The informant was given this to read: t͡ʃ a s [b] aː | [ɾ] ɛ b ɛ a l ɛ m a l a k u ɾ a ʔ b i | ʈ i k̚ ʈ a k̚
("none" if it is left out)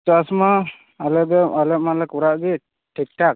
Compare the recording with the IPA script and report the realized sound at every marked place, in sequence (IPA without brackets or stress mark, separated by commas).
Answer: m, l